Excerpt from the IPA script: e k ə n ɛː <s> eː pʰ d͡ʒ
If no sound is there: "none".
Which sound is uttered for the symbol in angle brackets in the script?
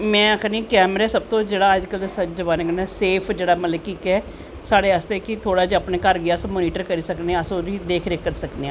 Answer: s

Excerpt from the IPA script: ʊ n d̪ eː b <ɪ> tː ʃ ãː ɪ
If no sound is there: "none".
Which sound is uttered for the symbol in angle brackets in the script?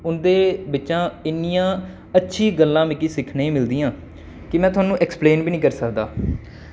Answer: ɪ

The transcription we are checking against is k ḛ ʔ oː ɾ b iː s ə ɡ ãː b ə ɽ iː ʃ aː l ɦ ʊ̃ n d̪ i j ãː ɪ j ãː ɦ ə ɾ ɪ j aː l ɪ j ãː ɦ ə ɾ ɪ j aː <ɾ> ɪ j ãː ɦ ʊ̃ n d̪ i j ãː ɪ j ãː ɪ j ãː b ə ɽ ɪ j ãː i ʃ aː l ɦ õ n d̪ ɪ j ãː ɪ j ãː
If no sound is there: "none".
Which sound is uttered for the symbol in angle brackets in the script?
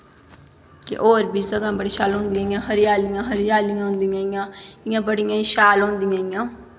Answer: l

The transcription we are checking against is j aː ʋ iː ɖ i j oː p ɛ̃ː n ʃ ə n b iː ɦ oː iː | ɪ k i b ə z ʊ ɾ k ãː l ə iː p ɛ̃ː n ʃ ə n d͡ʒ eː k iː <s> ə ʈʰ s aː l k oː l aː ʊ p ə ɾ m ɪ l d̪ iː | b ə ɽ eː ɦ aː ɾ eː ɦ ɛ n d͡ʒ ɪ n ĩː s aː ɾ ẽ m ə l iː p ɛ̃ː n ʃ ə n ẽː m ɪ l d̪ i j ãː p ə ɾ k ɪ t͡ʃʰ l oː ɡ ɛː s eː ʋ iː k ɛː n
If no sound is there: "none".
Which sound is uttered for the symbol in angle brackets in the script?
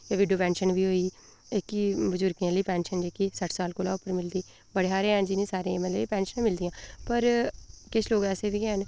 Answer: s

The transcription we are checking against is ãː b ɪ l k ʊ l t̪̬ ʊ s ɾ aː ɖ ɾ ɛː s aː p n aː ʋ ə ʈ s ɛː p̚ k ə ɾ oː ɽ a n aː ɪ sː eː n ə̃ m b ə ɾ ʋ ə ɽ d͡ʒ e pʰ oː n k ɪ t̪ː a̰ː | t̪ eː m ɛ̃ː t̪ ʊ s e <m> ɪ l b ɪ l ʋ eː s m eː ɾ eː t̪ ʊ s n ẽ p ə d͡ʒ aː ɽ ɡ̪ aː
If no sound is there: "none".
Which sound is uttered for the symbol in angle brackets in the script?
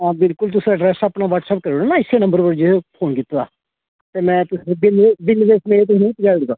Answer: b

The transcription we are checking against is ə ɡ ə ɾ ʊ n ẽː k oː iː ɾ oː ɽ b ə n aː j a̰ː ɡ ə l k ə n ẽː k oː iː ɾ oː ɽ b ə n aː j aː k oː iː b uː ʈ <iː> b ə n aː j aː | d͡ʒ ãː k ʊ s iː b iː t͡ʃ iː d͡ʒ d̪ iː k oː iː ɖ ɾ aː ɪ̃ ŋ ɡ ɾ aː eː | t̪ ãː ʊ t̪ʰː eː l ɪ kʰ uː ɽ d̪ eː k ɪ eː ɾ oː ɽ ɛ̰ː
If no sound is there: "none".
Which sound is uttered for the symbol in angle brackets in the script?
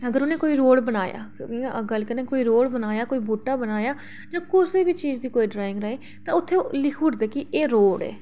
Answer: aː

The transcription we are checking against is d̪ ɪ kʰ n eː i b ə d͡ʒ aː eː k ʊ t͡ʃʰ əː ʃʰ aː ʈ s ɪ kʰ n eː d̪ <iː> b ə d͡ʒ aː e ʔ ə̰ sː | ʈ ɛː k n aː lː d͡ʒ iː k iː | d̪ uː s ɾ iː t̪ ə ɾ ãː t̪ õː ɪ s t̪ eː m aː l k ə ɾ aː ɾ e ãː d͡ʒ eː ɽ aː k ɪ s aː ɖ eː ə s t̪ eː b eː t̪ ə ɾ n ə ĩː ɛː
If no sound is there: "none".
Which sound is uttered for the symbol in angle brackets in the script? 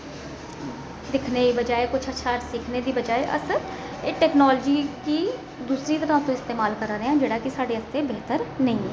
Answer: iː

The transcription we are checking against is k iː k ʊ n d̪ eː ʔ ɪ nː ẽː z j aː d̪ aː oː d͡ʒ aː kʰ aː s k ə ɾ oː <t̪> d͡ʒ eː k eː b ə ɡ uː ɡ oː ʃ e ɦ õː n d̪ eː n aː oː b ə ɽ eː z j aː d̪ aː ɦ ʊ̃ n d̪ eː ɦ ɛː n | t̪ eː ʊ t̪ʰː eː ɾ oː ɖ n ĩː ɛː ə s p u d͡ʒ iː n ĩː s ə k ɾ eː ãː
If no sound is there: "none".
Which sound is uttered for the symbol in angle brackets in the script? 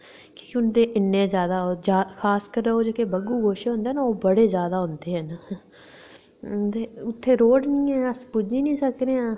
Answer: none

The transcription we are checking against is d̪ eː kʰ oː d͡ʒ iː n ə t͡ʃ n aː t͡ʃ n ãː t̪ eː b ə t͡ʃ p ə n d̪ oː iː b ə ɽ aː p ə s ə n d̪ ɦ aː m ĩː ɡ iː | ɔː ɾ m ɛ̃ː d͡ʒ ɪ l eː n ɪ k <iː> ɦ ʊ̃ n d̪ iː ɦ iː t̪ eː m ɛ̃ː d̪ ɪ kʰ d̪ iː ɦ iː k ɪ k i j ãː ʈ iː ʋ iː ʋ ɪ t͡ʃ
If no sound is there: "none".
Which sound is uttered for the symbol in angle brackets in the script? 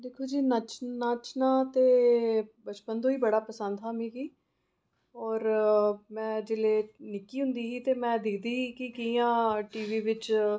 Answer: iː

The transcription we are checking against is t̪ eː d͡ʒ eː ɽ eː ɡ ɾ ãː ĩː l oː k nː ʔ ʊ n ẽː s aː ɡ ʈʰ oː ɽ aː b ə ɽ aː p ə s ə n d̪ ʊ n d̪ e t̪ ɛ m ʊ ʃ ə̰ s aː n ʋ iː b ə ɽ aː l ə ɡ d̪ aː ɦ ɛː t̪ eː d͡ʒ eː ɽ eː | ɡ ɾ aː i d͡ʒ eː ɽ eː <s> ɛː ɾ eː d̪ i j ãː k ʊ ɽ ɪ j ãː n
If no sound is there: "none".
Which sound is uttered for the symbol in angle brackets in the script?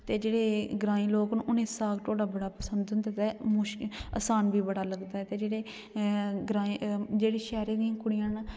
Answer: ʃ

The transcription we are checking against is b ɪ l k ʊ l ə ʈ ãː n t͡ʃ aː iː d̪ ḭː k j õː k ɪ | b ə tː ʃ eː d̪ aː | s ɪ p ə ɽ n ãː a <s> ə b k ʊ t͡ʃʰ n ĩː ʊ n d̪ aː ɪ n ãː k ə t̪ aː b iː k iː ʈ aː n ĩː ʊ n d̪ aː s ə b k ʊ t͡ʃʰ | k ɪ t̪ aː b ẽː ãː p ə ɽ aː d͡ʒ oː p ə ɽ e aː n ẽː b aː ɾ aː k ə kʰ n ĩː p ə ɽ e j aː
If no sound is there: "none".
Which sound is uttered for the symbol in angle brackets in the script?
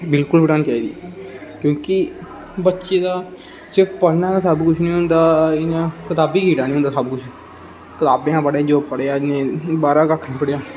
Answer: s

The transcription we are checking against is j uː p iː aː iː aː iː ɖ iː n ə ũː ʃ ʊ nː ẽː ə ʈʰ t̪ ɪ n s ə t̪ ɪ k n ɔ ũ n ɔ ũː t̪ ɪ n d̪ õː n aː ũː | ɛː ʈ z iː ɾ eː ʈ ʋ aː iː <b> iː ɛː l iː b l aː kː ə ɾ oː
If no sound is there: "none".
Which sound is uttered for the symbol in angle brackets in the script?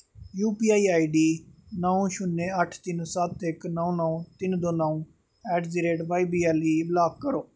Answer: b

